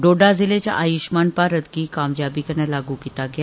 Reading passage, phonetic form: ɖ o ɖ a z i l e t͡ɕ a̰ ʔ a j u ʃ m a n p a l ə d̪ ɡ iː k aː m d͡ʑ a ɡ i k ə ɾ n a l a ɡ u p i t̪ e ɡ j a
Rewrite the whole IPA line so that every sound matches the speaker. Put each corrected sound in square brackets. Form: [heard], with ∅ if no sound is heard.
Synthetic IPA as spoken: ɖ o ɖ a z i l e t͡ɕ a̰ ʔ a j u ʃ m a n p a [ɾ] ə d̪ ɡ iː k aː m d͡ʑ a [b] i k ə ɾ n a l a ɡ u [k] i t̪ [a] ɡ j a